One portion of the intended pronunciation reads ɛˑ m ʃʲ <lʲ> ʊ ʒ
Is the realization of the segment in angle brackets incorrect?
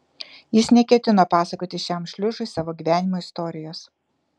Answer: no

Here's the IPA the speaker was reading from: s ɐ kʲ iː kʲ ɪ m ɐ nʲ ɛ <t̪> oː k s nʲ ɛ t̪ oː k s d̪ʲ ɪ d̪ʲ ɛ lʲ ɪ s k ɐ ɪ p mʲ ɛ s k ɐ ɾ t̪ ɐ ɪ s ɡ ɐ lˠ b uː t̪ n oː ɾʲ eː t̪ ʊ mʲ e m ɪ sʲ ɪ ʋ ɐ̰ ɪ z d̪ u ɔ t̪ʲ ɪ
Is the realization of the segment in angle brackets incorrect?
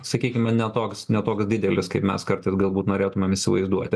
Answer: no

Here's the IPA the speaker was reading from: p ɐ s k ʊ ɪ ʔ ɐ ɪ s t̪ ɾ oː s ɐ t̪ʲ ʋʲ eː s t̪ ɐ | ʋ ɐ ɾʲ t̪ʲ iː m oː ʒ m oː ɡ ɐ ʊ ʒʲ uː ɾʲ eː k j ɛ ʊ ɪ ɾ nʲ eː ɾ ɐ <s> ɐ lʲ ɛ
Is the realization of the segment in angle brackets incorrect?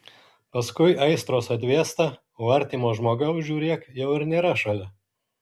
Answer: yes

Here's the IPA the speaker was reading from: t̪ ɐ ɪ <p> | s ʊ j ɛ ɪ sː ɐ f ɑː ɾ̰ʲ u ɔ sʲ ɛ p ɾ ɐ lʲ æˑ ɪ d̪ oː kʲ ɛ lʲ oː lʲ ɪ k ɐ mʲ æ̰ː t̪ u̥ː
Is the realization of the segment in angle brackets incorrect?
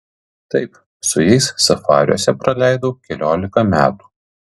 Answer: no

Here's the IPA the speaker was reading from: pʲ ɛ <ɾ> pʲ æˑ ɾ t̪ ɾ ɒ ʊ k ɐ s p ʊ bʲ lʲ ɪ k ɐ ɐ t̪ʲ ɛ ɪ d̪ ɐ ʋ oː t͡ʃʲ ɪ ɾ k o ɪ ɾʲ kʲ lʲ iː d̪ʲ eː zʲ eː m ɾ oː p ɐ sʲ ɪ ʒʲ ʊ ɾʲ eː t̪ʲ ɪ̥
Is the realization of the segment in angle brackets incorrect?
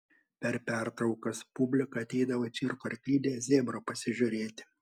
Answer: no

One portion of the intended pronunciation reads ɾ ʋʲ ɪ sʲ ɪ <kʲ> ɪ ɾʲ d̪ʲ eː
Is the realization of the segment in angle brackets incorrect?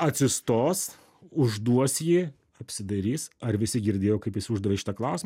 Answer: yes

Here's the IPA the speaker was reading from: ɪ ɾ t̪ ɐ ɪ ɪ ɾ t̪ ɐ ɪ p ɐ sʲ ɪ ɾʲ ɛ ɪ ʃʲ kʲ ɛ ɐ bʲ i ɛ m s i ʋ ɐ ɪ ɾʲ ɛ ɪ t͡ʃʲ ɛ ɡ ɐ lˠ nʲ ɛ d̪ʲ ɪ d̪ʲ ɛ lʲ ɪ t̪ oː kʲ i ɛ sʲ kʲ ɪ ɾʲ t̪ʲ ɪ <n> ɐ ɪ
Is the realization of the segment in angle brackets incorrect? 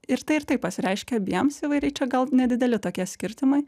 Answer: yes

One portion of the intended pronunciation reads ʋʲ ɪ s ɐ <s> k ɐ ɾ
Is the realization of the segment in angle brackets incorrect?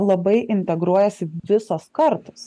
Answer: no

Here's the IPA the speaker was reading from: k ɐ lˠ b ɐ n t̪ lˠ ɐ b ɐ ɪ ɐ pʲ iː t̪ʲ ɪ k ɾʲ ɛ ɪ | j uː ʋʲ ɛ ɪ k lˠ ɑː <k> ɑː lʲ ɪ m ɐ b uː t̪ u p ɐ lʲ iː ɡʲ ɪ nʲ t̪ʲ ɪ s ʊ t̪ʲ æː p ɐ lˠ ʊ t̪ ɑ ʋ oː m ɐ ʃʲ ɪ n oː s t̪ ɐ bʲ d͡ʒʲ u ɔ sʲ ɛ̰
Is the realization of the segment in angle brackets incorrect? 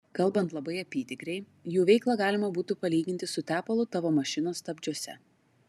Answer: yes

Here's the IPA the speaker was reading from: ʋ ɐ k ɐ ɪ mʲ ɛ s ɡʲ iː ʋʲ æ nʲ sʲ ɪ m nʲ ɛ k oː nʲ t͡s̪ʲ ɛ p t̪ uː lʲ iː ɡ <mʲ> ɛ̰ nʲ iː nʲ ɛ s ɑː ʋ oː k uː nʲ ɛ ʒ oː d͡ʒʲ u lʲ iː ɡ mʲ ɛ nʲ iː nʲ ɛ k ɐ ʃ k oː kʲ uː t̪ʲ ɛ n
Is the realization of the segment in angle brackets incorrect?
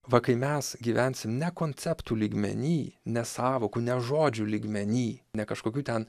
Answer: no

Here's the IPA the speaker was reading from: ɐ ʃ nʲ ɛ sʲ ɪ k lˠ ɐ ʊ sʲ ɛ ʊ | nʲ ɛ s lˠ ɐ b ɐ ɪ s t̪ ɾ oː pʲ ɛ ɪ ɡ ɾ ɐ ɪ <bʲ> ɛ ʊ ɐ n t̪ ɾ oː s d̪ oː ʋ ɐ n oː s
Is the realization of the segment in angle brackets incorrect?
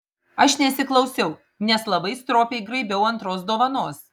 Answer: no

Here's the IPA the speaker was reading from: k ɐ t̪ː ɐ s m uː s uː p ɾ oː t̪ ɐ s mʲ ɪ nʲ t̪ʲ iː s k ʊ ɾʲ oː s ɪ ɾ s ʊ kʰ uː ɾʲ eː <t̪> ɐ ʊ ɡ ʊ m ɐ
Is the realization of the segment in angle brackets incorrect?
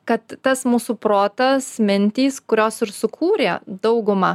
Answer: yes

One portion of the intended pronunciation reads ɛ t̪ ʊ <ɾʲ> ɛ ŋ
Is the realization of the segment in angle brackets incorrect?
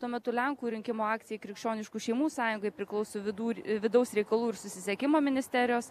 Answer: yes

